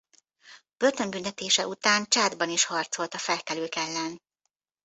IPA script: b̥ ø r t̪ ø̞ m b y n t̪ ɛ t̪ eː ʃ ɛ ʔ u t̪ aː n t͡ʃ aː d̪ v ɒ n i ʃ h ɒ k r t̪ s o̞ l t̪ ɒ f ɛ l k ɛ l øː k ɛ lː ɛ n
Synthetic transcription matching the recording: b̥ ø r t̪ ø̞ m b y n t̪ ɛ t̪ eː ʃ ɛ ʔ u t̪ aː n t͡ʃ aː d̪ b ɒ n i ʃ h ɒ r t̪ s o̞ l t̪ ɒ f ɛ l k ɛ l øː k ɛ lː ɛ n